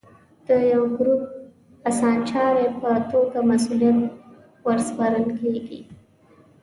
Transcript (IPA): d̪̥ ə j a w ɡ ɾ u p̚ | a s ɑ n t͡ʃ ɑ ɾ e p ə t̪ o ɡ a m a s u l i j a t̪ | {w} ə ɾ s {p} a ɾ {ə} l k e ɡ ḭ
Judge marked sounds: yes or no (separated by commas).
yes, yes, yes